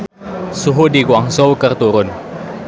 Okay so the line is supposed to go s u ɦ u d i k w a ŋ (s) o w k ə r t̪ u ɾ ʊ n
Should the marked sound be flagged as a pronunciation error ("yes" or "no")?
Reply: no